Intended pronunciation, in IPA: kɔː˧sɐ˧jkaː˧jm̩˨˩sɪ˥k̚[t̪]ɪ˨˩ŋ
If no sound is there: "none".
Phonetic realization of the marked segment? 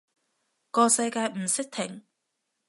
t̪ʰ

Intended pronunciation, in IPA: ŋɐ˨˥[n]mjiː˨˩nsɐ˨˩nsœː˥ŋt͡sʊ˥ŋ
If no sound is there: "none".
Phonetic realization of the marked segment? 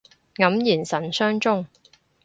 none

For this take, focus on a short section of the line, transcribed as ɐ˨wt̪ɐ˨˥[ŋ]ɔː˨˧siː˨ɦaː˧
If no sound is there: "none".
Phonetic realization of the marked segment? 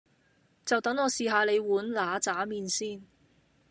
ŋ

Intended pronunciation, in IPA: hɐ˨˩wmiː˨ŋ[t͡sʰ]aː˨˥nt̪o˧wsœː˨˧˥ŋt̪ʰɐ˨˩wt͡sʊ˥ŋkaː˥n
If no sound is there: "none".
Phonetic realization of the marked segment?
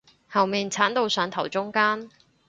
t͡sʰ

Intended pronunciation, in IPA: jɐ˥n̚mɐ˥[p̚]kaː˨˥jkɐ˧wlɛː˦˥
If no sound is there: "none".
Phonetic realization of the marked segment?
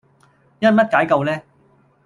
t̚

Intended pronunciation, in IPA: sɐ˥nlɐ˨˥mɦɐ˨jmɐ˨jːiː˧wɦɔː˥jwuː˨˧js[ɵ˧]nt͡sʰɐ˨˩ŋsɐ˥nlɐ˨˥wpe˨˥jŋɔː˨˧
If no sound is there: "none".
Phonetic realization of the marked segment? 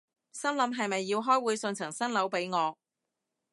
ɵ˧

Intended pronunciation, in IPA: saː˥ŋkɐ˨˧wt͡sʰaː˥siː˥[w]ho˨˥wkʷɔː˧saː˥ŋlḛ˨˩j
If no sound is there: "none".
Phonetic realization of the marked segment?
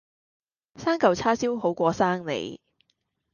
w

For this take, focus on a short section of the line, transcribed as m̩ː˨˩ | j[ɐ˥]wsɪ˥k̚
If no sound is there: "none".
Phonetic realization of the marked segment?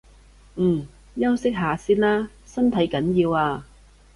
ɐ˥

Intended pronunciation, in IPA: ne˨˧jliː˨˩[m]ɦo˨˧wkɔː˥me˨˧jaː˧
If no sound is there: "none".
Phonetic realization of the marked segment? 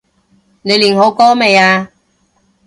n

